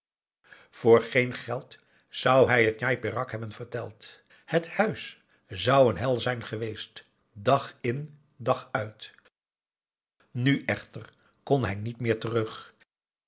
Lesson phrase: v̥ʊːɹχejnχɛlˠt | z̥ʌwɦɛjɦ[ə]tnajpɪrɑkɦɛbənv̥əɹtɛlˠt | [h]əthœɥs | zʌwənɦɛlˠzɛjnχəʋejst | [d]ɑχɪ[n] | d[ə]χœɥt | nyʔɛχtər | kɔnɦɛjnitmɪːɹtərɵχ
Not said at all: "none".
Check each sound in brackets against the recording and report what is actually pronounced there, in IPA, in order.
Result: ə, h, d, n, ɑ

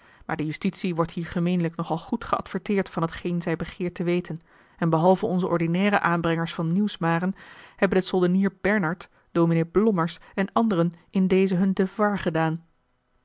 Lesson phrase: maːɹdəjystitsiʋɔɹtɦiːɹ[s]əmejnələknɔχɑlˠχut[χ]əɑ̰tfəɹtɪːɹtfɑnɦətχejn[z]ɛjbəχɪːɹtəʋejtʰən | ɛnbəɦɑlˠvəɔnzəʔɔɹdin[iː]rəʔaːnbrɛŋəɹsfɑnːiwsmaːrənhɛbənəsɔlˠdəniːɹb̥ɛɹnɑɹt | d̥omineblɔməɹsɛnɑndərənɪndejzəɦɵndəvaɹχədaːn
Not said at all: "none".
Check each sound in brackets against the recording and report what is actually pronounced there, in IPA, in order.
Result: χ, χ, z, ɛː

